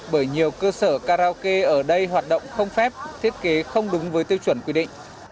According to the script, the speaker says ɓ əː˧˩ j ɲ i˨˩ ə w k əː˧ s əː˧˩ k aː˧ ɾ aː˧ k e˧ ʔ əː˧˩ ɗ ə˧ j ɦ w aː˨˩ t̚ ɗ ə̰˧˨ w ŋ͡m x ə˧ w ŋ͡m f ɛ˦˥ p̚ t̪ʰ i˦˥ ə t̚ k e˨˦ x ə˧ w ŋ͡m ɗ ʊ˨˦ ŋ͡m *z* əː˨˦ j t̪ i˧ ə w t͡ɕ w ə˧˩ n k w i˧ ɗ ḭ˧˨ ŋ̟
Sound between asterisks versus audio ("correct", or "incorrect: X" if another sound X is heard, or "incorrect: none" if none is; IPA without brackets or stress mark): incorrect: v